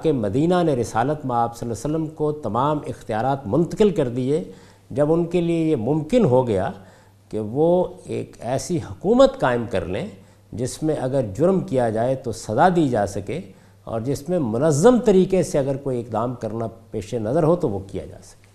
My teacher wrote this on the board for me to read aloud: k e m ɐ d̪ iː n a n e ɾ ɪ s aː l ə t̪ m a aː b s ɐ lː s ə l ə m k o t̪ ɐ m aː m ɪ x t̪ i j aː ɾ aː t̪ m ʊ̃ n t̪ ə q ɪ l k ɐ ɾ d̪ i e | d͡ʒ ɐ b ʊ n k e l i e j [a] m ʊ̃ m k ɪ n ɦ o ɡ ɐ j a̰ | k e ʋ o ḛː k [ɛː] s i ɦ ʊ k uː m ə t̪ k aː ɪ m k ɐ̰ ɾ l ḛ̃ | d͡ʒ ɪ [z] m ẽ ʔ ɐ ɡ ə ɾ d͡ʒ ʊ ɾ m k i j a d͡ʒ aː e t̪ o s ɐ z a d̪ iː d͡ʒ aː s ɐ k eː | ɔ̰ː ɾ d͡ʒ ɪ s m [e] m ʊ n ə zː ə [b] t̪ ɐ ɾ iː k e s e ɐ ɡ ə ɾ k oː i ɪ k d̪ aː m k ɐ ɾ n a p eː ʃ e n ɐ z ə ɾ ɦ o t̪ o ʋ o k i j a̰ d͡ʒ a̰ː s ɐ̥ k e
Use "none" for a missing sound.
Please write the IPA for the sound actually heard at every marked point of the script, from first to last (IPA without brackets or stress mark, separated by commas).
e, ɛː, s, ẽ, m